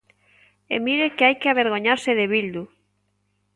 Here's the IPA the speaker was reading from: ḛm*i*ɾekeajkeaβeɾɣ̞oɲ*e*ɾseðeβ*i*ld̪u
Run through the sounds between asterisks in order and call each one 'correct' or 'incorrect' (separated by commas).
correct, incorrect, correct